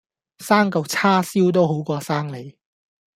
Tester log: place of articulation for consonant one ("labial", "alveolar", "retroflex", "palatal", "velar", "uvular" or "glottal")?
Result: alveolar